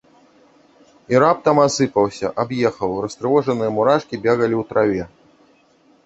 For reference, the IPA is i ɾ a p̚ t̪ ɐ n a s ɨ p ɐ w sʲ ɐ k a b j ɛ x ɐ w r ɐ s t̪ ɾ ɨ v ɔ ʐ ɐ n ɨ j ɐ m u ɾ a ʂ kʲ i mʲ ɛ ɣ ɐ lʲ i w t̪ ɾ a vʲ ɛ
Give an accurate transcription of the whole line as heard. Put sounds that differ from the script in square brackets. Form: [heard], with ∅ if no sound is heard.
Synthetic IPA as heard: i ɾ a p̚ t̪ ɐ [m] a s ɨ p ɐ w sʲ ɐ [ʔ] a b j ɛ x ɐ w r ɐ s t̪ ɾ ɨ v ɔ ʐ ɐ n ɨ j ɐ m u ɾ a ʂ kʲ i [bʲ] ɛ ɣ ɐ lʲ i w t̪ ɾ a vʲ ɛ